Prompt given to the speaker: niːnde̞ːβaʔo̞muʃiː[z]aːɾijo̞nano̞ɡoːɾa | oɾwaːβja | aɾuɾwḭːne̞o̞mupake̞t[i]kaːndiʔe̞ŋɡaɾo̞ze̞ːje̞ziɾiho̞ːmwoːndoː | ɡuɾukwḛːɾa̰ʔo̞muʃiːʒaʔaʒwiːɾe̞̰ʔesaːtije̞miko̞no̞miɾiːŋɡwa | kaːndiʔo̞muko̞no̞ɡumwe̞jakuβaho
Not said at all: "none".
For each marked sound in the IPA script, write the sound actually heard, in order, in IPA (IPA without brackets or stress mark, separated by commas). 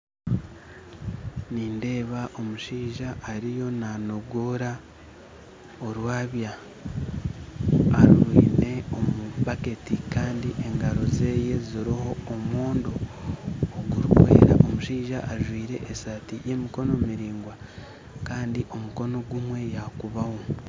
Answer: ʒ, i